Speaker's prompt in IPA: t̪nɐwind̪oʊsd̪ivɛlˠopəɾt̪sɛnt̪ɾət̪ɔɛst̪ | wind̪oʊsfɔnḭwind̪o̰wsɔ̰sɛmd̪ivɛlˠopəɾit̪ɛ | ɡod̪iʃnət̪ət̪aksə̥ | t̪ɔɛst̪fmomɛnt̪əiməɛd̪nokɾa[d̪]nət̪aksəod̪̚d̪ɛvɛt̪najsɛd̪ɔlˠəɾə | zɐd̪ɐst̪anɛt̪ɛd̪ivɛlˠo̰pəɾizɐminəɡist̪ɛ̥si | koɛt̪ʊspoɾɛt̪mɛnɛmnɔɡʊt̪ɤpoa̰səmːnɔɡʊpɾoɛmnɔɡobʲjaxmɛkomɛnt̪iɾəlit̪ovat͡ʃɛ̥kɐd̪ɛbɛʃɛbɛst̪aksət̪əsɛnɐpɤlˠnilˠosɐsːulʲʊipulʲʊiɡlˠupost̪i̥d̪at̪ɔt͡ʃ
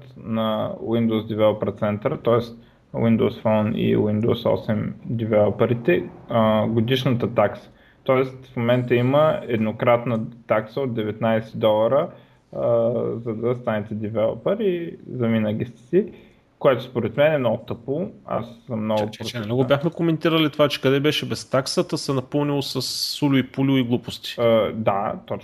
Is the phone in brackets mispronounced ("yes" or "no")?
yes